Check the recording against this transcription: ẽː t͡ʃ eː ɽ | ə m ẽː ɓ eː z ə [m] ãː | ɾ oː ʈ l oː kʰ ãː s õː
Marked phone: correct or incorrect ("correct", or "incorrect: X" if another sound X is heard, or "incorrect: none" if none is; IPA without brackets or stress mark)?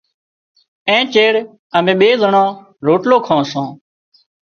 incorrect: ɳ